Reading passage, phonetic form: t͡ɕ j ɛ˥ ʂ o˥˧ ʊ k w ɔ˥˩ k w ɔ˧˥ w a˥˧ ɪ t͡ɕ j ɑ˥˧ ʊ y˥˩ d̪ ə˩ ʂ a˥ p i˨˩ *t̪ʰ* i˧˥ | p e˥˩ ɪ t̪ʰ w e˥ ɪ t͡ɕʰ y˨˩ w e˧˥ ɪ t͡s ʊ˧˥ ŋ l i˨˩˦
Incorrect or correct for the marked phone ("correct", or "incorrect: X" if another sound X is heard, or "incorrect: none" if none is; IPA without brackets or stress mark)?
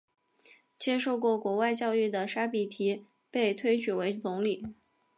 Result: correct